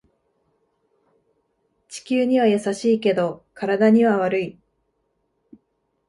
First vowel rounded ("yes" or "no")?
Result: no